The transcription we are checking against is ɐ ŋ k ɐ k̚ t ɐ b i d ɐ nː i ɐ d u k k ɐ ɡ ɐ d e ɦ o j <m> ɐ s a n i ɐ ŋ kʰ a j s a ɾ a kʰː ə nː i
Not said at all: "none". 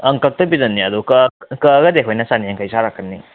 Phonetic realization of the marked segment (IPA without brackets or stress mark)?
n